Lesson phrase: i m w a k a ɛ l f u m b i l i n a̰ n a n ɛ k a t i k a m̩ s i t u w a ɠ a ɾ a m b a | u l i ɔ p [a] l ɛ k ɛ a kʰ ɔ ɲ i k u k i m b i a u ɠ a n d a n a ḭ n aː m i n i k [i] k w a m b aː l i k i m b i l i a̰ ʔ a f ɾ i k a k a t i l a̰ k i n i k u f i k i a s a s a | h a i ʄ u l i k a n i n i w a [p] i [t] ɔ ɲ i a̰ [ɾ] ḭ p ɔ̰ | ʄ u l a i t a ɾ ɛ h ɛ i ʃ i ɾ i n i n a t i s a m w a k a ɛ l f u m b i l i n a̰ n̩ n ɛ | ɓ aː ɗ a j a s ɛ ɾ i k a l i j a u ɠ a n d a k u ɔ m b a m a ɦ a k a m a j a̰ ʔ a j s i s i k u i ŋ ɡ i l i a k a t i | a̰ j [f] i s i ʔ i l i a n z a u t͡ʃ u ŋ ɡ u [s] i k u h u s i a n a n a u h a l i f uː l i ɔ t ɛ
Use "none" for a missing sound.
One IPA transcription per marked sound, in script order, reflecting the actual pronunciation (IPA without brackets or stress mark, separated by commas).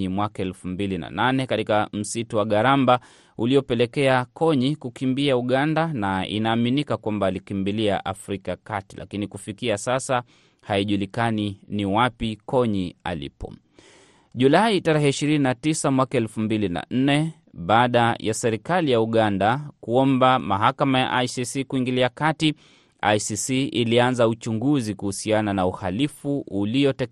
ɛ, a, p, k, l, s, z